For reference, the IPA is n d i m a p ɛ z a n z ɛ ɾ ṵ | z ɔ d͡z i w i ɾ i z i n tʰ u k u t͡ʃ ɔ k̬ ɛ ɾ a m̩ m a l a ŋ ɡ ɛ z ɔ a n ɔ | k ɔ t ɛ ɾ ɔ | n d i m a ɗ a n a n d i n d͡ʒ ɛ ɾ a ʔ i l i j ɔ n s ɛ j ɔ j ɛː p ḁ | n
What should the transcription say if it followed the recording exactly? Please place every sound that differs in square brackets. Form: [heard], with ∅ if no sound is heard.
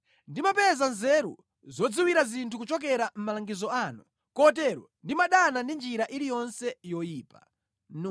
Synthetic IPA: n d i m a p ɛ z a n z ɛ ɾ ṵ | z ɔ d͡z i w i ɾ [a] z i n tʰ u k u t͡ʃ ɔ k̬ ɛ ɾ a m̩ m a l a ŋ ɡ [i] z ɔ a n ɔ | k ɔ t ɛ ɾ ɔ | n d i m a ɗ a n a n d i n d͡ʒ [i] ɾ a ʔ i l i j ɔ n s ɛ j ɔ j [iː] p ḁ | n